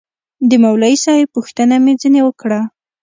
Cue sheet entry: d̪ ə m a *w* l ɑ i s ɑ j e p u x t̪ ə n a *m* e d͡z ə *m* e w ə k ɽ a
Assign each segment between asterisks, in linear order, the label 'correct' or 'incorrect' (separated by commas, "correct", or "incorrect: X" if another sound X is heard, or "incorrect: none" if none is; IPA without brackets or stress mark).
correct, correct, incorrect: n